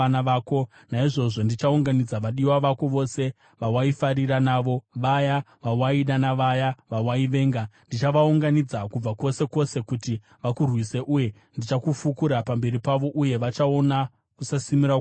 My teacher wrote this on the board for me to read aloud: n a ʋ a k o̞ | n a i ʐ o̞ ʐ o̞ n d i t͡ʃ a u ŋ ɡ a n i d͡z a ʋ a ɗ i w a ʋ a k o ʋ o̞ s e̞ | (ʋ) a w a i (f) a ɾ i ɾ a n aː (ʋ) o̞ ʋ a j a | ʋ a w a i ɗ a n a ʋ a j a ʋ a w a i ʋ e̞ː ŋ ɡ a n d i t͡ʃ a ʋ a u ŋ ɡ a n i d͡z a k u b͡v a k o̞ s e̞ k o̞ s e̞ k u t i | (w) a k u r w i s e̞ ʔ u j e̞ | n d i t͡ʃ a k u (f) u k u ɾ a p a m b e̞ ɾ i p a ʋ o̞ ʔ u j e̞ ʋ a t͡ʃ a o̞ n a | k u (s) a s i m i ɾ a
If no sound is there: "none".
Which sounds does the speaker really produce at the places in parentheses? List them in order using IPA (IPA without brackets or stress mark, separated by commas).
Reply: ʋ, f, ʋ, ʋ, f, s